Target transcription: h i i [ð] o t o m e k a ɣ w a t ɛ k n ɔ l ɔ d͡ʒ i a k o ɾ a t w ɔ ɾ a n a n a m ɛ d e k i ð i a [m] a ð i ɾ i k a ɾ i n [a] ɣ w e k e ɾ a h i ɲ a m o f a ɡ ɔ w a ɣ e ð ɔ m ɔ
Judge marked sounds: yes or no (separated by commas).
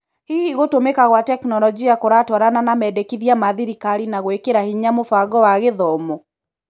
no, yes, yes